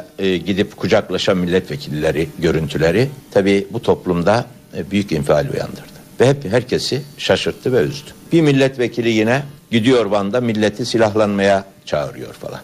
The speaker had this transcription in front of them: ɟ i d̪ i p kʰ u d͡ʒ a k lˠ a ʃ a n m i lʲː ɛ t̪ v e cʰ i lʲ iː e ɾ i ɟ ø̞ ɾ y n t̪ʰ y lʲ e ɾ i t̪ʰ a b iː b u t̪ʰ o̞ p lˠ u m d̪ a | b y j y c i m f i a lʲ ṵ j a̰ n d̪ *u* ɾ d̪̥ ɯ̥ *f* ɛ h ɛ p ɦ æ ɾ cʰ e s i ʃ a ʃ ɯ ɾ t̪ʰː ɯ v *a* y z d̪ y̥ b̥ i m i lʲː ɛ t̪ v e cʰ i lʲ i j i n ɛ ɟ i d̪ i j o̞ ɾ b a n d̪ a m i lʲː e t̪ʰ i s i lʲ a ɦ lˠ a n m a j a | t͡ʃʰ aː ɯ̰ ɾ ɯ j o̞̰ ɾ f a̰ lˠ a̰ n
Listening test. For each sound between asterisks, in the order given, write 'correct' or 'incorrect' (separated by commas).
incorrect, incorrect, incorrect